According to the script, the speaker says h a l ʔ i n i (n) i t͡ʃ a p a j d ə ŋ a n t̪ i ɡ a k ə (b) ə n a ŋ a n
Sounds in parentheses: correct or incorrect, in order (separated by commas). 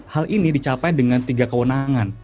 incorrect, incorrect